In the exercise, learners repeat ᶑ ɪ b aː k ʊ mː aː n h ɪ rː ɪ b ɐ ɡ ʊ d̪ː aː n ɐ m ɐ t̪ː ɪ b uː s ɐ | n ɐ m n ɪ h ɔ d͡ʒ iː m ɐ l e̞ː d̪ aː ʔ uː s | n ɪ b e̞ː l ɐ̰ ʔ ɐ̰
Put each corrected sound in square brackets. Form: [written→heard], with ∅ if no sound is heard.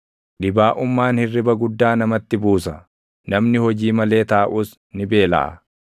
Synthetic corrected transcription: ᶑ ɪ b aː [k→ʔ] ʊ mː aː n h ɪ rː ɪ b ɐ ɡ ʊ d̪ː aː n ɐ m ɐ t̪ː ɪ b uː s ɐ | n ɐ m n ɪ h ɔ d͡ʒ iː m ɐ l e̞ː [d̪→t̪] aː ʔ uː s | n ɪ b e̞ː l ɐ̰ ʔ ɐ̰